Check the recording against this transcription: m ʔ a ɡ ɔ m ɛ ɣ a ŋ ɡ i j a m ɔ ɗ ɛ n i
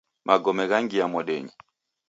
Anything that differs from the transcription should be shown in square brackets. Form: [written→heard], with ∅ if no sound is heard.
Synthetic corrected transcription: m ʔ a ɡ ɔ m ɛ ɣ a ŋ ɡ i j a m ɔ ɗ ɛ [n→ɲ] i